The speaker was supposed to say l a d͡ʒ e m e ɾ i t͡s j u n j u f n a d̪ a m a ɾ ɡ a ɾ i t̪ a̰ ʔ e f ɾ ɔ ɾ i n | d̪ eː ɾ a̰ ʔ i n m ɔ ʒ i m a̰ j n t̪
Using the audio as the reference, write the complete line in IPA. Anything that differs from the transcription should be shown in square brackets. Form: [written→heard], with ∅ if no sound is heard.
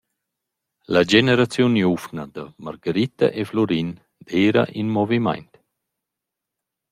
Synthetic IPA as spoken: l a d͡ʒ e [m→n] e ɾ [i→a] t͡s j u n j u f n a d̪ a m a ɾ ɡ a ɾ i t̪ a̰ ʔ e f [ɾ→l] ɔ ɾ i n | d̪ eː ɾ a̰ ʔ i n m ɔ [ʒ→v] i m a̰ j n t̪